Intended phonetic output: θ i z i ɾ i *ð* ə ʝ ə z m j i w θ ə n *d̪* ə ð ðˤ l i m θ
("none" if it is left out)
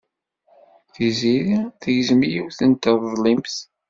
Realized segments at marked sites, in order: θ, t̪

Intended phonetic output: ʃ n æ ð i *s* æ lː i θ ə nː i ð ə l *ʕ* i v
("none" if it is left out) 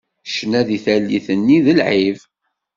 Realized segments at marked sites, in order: θ, ʕ

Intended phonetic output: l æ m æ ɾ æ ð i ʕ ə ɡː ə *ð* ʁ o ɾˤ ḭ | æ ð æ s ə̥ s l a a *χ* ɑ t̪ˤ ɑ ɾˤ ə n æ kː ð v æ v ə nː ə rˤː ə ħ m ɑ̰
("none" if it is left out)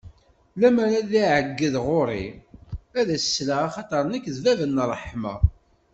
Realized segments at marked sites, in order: ð, χ

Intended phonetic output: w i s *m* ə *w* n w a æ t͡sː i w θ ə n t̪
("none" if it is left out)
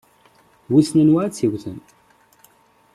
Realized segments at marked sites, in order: n, none

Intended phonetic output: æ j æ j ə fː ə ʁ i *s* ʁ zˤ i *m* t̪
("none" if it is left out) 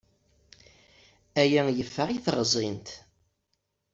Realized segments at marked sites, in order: θ, n

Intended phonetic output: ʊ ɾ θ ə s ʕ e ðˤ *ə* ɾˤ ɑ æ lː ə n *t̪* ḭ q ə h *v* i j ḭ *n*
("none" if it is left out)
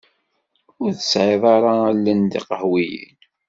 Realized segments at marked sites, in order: ɑ, d̪, w, n

